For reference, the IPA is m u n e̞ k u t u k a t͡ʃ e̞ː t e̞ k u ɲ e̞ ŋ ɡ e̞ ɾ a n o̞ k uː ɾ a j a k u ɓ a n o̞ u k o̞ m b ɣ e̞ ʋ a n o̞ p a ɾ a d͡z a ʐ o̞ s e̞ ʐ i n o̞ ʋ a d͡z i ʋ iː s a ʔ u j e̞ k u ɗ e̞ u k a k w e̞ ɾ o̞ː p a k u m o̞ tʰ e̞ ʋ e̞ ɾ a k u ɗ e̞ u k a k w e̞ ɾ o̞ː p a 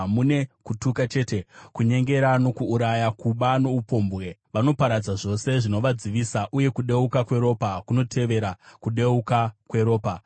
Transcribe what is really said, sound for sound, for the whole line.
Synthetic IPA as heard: m u n e̞ k u t u k a t͡ʃ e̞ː t e̞ k u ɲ e̞ ŋ ɡ e̞ ɾ a n o̞ k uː ɾ a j a k u ɓ a n o̞ u p o̞ m b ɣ e̞ ʋ a n o̞ p a ɾ a d͡z a ʐ o̞ s e̞ ʐ i n o̞ ʋ a d͡z i ʋ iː s a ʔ u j e̞ k u ɗ e̞ u k a k w e̞ ɾ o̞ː p a k u n o̞ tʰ e̞ ʋ e̞ ɾ a k u ɗ e̞ u k a k w e̞ ɾ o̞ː p a